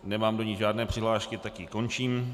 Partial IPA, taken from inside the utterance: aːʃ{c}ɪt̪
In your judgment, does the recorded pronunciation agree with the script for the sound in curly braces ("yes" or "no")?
no